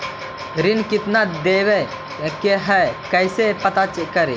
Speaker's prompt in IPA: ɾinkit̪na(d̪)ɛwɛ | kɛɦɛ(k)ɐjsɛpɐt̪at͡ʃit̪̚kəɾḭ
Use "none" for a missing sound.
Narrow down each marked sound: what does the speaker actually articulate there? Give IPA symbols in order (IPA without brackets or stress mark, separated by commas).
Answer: d̪, k